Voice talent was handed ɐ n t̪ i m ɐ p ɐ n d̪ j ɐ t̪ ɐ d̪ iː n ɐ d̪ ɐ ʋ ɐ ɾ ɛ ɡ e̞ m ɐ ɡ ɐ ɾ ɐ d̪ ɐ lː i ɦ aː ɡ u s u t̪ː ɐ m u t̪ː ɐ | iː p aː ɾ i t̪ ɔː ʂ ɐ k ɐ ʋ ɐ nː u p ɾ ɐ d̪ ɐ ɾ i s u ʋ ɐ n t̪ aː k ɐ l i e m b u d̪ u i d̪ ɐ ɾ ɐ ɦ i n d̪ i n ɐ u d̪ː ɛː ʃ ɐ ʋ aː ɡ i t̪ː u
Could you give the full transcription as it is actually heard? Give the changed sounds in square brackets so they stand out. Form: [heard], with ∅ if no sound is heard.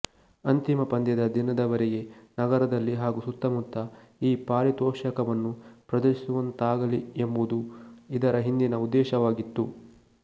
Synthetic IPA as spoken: ɐ n t̪ i m ɐ p ɐ n d̪ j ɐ [d̪] ɐ d̪ [i] n ɐ d̪ ɐ ʋ ɐ ɾ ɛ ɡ e̞ [n] ɐ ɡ ɐ ɾ ɐ d̪ ɐ lː i ɦ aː ɡ u s u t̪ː ɐ m u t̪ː ɐ | iː p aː ɾ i t̪ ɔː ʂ ɐ k ɐ ʋ ɐ nː u p ɾ ɐ d̪ ɐ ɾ i s u ʋ ɐ n t̪ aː [ɡ] ɐ l i e m b u d̪ u i d̪ ɐ ɾ ɐ ɦ i n d̪ i n ɐ u d̪ː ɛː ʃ ɐ ʋ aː ɡ i t̪ː u